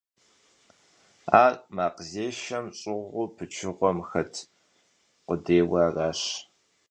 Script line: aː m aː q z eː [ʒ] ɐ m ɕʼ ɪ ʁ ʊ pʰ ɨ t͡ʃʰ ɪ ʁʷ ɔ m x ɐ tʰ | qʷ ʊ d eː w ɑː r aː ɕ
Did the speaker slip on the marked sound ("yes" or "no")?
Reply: yes